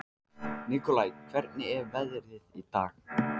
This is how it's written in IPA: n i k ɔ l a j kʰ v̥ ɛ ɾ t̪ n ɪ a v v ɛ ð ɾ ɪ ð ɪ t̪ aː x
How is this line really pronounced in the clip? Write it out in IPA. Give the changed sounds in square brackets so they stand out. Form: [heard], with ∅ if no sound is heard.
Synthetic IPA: n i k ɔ l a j kʰ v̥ ɛ ɾ t̪ n ɪ [ɛ] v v ɛ ð ɾ ɪ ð [i] t̪ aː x